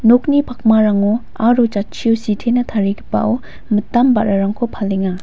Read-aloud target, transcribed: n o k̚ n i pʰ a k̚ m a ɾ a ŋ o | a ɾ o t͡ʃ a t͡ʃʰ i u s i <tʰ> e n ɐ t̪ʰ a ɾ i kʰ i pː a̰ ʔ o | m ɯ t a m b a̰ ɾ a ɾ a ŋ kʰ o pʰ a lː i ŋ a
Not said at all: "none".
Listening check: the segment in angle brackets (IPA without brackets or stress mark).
tʰ